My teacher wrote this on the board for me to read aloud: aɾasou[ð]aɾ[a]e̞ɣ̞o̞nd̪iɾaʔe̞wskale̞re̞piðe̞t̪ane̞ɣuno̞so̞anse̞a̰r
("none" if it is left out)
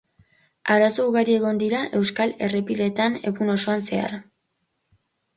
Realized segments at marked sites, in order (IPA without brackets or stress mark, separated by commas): ɣ, i